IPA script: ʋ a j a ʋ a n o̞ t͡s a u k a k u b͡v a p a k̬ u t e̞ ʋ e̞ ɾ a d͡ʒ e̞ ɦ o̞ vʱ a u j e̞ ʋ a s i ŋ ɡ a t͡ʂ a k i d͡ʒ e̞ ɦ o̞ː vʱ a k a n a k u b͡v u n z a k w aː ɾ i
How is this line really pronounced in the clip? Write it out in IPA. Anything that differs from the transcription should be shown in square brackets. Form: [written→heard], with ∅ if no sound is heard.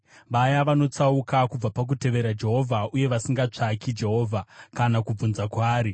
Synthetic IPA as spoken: ʋ a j a ʋ a n o̞ t͡s a u k a k u b͡v a p a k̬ u t e̞ ʋ e̞ ɾ a d͡ʒ e̞ ɦ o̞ vʱ a u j e̞ ʋ a s i ŋ ɡ a t͡ʂ a k i d͡ʒ e̞ ɦ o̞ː vʱ a k a n a k u b͡v u n z a k w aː ɾ i